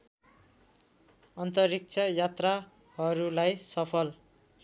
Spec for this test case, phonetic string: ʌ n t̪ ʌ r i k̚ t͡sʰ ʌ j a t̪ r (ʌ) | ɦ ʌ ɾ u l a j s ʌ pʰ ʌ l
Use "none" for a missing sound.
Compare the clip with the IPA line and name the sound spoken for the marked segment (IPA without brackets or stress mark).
a